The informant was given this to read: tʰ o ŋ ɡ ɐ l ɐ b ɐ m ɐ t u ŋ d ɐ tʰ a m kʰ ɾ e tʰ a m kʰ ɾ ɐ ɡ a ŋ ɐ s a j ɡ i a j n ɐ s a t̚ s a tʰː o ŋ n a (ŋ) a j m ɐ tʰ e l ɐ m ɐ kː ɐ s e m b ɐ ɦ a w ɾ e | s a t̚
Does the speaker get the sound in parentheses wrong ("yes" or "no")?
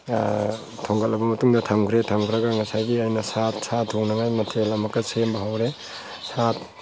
no